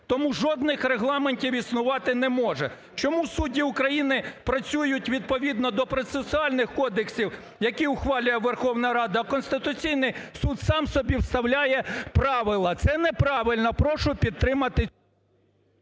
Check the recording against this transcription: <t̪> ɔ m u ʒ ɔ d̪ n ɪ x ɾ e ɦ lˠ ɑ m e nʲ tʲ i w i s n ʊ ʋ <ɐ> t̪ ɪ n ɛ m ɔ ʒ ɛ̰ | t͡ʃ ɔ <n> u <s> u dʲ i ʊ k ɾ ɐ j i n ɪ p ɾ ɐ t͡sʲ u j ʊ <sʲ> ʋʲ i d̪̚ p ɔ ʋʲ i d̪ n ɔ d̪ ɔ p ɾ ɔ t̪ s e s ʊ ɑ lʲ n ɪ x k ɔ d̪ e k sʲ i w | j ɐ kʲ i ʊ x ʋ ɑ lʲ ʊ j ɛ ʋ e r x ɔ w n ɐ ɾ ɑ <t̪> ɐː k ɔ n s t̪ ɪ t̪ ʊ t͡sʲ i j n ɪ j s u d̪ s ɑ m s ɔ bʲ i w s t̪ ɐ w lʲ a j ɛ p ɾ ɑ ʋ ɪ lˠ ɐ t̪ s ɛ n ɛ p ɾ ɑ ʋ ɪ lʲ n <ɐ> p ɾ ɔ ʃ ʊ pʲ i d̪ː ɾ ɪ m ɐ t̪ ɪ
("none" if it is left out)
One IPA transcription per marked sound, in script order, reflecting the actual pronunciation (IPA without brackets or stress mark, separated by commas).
t̪, ɑ, m, s, tʲ, d̪, ɐ